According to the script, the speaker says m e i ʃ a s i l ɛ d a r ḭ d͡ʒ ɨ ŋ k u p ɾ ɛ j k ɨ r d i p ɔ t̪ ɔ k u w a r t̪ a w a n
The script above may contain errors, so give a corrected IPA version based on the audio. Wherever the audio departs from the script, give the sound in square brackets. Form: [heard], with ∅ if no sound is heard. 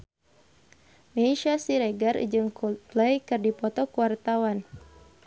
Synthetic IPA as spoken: m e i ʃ a s i [ɾ] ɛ [ɡ] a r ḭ d͡ʒ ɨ ŋ k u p [l] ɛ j k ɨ r d i p ɔ t̪ ɔ k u w a r t̪ a w a n